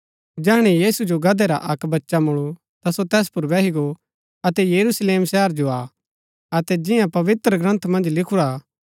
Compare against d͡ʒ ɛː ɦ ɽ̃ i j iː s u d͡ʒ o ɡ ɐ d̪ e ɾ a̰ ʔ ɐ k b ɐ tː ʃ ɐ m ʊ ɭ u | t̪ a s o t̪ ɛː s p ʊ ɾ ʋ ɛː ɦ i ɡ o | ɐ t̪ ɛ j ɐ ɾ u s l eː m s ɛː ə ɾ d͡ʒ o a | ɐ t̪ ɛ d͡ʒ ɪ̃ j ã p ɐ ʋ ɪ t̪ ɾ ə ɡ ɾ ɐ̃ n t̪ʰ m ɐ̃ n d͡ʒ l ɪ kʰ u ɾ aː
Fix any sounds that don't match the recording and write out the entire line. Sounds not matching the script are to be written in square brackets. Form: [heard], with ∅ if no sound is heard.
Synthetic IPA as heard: d͡ʒ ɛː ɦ ɽ̃ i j iː s u d͡ʒ o ɡ ɐ d̪ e ɾ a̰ ʔ ɐ k b ɐ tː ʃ [a] m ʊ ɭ u | t̪ a s o t̪ ɛː s p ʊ ɾ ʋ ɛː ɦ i ɡ o | ɐ t̪ ɛ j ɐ ɾ u s l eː m s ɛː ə ɾ d͡ʒ o a | ɐ t̪ ɛ d͡ʒ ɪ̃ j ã p ɐ ʋ ɪ t̪ ɾ ə ɡ ɾ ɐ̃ n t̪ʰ m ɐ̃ n d͡ʒ l ɪ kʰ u ɾ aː